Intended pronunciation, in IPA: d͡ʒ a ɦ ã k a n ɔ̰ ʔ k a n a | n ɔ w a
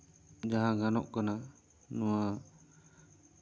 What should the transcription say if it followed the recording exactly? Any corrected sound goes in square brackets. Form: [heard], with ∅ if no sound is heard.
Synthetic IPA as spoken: d͡ʒ a ɦ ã [ɡ] a n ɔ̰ ʔ k a n a | n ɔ w a

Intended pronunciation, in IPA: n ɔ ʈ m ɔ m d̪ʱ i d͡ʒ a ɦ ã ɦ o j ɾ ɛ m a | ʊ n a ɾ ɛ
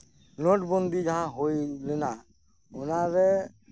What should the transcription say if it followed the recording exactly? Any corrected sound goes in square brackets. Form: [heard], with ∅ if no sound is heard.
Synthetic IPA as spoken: n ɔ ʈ [b] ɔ [n] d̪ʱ i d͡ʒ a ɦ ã ɦ o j [l] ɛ [n] a | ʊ n a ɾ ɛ

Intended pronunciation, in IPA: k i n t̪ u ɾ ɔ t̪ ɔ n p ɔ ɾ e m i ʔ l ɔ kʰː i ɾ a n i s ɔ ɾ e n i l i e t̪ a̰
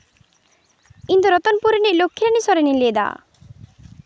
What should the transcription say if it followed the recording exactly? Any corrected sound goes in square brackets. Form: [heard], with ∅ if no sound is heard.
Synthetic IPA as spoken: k i n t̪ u ɾ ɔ t̪ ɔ n p [u] ɾ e [n] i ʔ l [o] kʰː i ɾ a n i s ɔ ɾ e n i l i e [d̪] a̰

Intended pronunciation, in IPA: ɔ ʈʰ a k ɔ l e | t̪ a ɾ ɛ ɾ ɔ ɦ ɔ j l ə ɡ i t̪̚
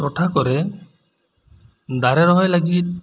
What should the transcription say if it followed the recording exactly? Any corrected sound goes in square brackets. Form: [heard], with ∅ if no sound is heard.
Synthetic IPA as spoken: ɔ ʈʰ a k ɔ [ɾ] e | [d̪] a ɾ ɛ ɾ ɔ ɦ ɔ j l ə ɡ i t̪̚

